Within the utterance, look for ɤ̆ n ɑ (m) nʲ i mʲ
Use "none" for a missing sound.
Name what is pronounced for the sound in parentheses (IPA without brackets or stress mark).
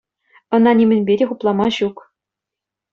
none